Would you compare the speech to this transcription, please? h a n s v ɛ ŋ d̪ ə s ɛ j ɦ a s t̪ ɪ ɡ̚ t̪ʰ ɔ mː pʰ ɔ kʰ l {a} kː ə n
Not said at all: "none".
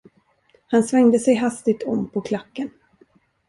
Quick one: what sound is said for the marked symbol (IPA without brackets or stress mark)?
a